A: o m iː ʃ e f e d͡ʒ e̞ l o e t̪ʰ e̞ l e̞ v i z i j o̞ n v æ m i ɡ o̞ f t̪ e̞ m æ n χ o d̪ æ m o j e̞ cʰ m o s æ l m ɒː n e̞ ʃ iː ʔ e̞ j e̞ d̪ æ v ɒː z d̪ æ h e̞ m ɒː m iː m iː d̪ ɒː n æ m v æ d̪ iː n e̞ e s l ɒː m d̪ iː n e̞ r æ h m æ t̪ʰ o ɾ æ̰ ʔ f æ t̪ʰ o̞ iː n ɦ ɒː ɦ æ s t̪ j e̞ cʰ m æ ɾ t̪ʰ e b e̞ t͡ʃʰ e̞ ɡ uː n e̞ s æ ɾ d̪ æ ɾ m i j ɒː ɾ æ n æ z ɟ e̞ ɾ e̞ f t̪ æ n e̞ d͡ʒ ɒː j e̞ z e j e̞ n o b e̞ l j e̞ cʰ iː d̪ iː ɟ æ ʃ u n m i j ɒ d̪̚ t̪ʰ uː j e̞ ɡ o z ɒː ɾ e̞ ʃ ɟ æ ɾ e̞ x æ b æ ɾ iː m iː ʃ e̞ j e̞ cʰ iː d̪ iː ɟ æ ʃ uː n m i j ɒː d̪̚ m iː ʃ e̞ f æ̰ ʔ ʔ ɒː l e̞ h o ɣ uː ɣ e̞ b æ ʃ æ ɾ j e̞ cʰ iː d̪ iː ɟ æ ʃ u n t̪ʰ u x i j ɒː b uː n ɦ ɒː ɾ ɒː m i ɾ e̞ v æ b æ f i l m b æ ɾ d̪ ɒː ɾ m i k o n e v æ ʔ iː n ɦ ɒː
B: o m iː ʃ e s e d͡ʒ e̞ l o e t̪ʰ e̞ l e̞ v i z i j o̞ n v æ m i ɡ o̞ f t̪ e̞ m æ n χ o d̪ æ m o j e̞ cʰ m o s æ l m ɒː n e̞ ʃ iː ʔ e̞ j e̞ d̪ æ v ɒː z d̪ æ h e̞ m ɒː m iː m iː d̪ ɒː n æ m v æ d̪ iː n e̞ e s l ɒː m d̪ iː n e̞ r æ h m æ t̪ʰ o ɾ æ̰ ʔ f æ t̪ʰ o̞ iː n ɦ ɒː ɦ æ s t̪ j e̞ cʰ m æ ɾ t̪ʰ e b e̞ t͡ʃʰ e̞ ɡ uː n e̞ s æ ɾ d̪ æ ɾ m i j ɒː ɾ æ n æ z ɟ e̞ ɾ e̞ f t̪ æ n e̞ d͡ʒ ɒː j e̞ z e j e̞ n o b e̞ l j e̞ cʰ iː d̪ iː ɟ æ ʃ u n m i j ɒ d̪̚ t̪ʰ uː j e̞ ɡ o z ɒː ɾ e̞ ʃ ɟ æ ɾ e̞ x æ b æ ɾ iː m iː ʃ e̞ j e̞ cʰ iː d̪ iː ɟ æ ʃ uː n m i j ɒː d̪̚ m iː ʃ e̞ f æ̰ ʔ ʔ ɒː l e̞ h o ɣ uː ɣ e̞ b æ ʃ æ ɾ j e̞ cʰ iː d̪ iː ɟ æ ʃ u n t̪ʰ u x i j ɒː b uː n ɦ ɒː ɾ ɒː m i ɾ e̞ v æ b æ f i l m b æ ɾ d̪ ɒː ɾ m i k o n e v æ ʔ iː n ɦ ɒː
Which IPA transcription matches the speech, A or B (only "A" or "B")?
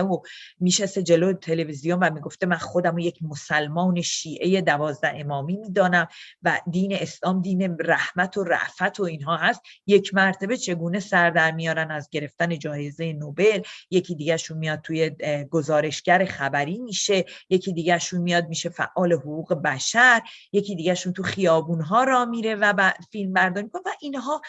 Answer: B